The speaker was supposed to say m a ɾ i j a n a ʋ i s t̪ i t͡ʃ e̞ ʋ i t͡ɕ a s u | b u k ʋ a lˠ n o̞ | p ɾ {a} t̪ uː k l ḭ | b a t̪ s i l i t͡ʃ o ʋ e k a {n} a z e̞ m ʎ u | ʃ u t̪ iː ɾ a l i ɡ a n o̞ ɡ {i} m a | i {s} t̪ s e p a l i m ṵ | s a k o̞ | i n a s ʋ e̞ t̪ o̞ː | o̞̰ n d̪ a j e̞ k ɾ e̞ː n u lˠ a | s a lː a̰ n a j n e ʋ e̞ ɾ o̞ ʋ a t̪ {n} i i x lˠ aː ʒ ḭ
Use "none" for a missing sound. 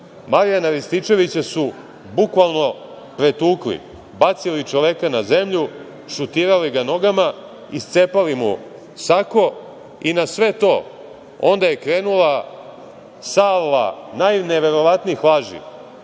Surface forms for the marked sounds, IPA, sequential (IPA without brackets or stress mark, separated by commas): e, n, a, s, n